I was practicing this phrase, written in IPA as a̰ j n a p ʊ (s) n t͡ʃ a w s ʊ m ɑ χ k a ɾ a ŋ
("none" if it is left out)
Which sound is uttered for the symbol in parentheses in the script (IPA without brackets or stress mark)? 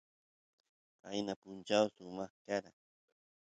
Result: none